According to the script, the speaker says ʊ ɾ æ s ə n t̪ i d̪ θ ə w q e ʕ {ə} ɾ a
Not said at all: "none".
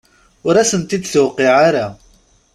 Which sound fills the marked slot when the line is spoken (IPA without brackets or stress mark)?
a